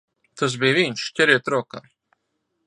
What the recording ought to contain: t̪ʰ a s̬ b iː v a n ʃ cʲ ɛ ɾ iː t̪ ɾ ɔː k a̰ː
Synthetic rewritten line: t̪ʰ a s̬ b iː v i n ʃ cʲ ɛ ɾ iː t̪ ɾ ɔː k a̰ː